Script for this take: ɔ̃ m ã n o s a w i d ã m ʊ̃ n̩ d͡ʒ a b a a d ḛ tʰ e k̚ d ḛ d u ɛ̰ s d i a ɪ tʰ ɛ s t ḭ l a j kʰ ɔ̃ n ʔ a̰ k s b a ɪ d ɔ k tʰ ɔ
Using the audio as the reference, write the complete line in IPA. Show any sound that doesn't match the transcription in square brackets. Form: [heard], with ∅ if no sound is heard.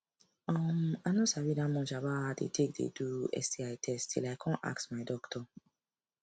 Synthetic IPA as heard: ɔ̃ m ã n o s a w i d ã m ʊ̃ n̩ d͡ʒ a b a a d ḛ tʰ e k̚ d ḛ d u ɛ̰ s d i a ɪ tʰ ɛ s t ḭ l a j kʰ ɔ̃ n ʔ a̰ k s [m] a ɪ d ɔ k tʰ ɔ

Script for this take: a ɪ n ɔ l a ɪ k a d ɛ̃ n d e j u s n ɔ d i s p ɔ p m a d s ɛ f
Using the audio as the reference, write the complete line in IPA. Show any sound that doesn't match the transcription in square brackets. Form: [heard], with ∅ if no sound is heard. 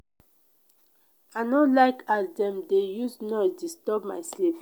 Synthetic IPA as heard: a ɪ n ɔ l a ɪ k a d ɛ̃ [m] d e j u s n ɔ d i s [t] ɔ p m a [∅] s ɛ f

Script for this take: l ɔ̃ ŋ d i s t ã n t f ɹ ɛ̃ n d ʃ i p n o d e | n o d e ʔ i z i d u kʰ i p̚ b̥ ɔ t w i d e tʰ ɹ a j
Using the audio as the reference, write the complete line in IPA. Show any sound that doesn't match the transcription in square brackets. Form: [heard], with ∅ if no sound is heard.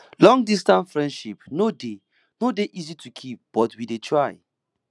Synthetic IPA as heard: l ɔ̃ ŋ d i s t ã n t f ɹ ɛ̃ n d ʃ i p n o d e | n o d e ʔ i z i [t] u kʰ i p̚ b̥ ɔ t w i d e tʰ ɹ a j

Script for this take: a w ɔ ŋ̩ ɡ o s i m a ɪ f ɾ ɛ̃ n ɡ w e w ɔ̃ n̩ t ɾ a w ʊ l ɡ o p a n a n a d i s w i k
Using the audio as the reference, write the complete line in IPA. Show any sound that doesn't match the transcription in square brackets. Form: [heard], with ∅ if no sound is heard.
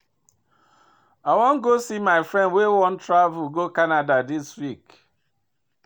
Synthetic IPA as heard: a w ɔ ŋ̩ ɡ o s i m a ɪ f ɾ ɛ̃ n [d] w e w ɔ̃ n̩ t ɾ a [v] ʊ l ɡ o [k] a n a [d] a d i s w i k

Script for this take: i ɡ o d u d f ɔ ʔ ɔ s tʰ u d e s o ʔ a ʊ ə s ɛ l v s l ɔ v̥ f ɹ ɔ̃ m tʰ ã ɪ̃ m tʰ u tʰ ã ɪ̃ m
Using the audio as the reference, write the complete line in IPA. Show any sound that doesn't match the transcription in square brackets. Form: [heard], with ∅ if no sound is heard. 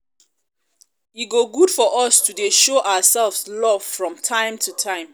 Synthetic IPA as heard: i ɡ o [ɡ] u d f ɔ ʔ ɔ s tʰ u d e [ʃ] o ʔ a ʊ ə s ɛ l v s l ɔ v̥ f ɹ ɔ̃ m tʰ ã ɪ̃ m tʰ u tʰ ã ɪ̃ m

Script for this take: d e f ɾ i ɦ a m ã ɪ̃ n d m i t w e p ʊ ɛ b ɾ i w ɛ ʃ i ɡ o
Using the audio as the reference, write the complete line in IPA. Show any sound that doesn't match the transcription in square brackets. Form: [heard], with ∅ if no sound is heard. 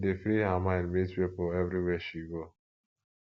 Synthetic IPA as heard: d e f ɾ i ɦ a m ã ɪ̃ n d m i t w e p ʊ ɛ [v] ɾ i w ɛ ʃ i ɡ o

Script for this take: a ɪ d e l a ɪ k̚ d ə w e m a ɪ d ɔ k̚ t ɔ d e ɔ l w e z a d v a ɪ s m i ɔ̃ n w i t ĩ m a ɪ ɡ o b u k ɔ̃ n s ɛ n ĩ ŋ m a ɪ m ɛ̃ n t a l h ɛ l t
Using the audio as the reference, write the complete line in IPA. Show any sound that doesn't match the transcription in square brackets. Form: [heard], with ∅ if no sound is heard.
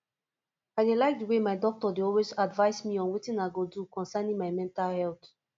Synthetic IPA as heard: a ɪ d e l a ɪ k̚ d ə w e m a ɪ d ɔ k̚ t ɔ d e ɔ l w e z a d v a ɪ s m i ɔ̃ n w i t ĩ [n] a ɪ ɡ o [d] u k ɔ̃ n s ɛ n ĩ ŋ m a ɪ m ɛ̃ n t a l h ɛ l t

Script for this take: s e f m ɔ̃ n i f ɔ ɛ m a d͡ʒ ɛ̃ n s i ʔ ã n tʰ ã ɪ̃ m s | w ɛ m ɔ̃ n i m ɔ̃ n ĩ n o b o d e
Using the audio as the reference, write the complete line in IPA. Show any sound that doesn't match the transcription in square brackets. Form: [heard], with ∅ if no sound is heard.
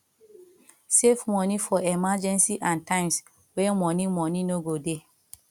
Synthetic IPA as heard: s e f m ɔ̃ n i f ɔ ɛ m a d͡ʒ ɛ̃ n s i ʔ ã n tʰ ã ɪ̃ m s | w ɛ m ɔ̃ n i m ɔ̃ n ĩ n o [ɡ] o d e

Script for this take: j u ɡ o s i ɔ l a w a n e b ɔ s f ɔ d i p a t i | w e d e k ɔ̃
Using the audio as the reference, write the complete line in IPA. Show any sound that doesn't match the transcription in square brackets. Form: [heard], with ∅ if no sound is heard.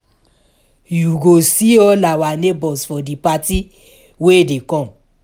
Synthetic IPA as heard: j u ɡ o s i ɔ l a w a n e b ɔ s f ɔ d i p a t i | w e d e k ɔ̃

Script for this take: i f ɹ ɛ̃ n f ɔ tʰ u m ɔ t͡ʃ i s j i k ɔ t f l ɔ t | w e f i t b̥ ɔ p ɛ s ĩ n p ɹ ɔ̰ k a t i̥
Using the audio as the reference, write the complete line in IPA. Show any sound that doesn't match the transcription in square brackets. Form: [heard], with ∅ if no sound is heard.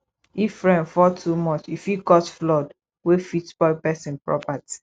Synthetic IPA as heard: i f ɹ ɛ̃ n f ɔ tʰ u m ɔ t͡ʃ i [f] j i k ɔ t f l ɔ [d] | w e f i t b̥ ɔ p ɛ s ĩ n p ɹ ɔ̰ [p] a t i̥

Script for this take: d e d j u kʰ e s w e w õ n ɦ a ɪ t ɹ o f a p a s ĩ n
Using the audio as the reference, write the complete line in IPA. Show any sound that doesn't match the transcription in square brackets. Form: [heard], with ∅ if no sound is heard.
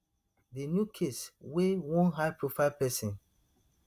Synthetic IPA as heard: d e [n] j u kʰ e s w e w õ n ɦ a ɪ [p] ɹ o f a p [ɛ] s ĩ n

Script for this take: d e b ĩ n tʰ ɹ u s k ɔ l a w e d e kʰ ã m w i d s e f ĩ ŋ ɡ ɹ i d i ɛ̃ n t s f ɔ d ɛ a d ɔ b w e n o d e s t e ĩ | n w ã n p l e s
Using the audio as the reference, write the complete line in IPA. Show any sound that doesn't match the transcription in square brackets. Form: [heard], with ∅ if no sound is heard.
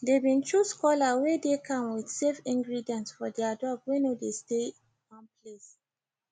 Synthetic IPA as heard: d e b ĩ n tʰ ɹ u s k ɔ l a w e d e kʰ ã m w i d s e f ĩ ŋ ɡ ɹ i d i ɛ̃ n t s f ɔ d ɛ a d ɔ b w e n o d e s t e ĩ | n w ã n p l e s

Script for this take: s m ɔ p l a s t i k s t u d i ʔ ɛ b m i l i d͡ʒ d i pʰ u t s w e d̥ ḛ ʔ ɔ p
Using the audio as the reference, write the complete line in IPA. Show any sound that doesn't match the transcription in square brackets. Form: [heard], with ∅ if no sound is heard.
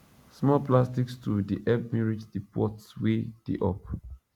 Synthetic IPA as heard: s m ɔ p l a s t i k s t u d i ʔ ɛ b m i [ɹ] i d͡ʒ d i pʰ [ɔ] t s w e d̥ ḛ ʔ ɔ p

